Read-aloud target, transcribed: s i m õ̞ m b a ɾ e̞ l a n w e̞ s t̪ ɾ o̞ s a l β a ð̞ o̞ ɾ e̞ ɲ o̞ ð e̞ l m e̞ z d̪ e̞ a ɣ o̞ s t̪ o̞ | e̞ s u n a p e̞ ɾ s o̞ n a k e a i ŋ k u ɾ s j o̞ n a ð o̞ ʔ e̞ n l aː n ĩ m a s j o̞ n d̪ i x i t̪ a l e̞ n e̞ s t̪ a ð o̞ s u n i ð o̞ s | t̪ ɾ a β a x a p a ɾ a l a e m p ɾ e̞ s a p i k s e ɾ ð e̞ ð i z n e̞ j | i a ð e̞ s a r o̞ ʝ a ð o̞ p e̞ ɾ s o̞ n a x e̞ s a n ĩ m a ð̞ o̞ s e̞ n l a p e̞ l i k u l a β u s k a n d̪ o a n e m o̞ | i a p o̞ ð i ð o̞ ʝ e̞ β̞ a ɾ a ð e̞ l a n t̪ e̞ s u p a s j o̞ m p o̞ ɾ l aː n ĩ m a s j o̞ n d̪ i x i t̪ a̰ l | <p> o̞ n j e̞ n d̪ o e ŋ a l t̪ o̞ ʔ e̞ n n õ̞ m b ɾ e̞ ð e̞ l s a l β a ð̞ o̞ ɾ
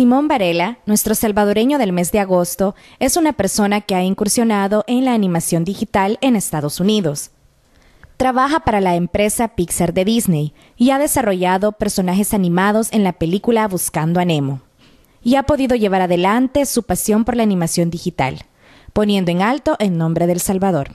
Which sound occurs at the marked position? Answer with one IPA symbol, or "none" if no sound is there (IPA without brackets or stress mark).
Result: p